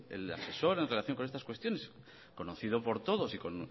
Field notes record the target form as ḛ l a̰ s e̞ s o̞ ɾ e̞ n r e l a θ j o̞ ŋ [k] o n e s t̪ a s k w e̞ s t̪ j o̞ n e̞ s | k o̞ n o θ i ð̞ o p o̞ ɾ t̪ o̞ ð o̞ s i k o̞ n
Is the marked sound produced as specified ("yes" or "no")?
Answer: yes